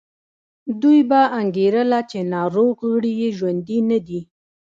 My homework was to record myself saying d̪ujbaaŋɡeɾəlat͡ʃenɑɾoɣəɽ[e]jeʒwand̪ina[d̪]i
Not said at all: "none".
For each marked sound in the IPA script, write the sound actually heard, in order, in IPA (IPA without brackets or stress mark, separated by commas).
i, d̪